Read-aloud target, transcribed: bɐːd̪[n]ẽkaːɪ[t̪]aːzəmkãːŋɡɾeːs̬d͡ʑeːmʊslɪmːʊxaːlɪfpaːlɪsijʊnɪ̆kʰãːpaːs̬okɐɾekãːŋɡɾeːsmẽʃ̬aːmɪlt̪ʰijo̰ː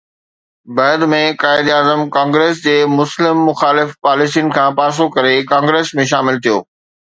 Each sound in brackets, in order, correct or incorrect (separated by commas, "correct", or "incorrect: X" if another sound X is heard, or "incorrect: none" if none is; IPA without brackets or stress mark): incorrect: m, incorrect: d̪